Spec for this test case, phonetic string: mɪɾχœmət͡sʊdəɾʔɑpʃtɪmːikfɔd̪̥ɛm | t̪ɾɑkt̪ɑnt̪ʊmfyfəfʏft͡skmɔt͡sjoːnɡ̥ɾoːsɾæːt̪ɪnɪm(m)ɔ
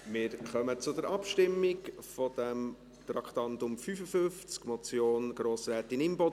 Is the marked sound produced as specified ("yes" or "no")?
no